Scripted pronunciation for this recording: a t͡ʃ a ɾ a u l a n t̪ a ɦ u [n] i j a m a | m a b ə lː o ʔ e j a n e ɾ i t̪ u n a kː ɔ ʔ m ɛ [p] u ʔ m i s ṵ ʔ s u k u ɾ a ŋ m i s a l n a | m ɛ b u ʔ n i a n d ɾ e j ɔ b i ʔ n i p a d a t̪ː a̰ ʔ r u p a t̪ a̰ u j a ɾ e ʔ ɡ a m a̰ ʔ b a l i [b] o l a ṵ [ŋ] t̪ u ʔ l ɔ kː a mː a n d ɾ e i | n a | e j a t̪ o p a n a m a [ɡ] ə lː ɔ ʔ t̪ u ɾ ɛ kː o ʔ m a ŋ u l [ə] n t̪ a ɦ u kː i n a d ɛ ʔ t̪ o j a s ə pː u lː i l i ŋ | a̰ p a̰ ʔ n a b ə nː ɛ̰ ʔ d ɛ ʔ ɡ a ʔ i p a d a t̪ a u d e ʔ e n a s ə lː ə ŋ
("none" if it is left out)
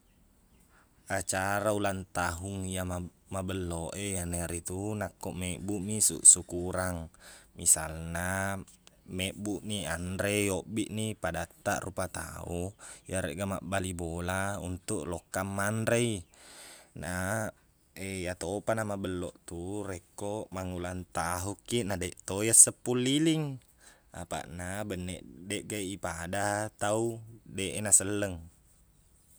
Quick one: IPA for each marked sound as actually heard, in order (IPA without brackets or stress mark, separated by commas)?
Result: ŋ, b, b, n, b, a